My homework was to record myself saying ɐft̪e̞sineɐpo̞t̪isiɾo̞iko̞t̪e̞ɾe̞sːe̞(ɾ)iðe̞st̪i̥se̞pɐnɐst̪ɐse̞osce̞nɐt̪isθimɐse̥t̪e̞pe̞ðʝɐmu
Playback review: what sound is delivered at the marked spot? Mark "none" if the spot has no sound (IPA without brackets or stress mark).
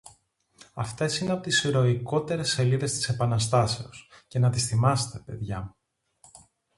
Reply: l